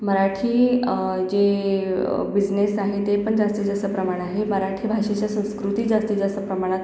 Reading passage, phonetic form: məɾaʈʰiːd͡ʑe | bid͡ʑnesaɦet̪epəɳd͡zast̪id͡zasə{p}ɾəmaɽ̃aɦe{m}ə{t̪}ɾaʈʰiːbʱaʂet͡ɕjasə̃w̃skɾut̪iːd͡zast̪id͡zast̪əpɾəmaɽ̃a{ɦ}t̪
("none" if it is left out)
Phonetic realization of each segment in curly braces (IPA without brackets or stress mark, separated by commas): p, m, none, none